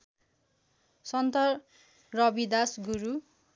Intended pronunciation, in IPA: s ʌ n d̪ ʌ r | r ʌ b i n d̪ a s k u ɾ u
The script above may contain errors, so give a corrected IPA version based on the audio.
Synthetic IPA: s ʌ n t̪ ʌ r | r ʌ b i d̪ a s ɡ u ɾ u